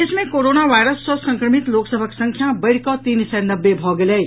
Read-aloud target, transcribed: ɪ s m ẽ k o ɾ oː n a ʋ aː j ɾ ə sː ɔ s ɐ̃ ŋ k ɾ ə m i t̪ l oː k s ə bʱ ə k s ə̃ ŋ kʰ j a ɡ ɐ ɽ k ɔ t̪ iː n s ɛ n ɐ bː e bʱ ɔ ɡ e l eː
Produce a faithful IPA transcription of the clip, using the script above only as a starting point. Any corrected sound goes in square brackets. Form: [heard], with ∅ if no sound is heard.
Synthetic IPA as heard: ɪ s m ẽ k o ɾ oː n a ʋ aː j ɾ ə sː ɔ s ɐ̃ ŋ k ɾ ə m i t̪ l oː k s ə bʱ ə k s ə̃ ŋ kʰ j a [b] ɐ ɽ k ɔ t̪ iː n s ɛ n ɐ bː e bʱ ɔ ɡ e l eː